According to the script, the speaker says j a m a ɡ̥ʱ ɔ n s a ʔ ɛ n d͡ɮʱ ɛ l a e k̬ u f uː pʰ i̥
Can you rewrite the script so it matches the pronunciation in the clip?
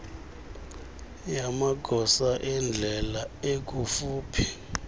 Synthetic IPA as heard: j a m a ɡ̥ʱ ɔ s a ʔ ɛ n d͡ɮʱ ɛ l a e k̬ u f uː pʰ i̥